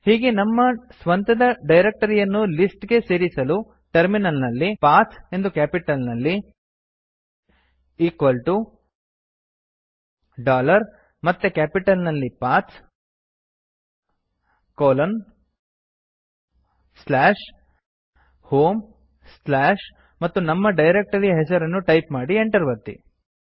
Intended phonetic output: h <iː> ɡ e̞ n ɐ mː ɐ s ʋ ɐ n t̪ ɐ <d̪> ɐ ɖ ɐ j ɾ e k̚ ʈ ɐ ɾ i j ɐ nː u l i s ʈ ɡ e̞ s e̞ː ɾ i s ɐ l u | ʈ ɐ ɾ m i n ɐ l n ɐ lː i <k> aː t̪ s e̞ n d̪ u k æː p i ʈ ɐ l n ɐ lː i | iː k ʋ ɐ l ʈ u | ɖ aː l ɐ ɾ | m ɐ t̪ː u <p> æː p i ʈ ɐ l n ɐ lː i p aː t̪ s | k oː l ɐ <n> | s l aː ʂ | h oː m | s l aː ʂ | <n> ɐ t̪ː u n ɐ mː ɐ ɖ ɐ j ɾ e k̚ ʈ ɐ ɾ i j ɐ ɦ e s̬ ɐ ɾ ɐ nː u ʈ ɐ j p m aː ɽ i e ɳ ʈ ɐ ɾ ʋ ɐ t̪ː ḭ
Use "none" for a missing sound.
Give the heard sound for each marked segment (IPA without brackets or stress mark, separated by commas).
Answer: iː, d̪, p, k, n, m